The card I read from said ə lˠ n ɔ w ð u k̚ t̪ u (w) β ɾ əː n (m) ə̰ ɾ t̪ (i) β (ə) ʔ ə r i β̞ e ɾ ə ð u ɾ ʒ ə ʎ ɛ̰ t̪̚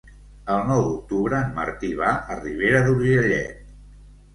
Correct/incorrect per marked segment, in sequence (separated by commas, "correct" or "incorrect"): incorrect, correct, correct, incorrect